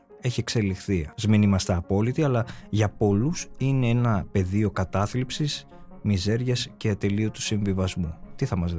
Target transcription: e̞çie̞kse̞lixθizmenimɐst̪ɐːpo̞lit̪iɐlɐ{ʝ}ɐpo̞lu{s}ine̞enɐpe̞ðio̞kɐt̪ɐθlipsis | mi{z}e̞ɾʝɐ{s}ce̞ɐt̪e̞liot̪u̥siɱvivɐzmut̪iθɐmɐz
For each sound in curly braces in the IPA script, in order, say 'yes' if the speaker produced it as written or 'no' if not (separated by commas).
yes, yes, yes, yes